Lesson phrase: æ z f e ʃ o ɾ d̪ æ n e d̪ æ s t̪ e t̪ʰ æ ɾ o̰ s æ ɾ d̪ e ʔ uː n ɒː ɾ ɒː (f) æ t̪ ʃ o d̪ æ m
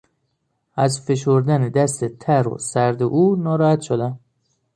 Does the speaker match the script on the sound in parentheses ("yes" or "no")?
no